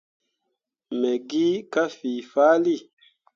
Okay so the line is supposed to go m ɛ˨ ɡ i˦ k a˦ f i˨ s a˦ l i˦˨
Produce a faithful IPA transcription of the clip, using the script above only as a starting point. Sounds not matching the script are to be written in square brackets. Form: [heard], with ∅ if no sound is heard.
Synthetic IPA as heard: m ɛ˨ ɡ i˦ k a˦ f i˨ [f] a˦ l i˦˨